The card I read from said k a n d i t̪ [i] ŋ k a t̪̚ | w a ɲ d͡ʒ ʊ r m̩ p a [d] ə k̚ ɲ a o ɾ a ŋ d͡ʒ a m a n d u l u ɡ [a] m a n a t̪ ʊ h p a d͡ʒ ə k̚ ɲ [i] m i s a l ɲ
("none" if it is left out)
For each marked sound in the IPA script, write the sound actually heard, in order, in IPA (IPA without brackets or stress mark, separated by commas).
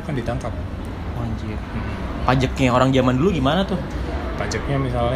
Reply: a, d͡ʒ, i, a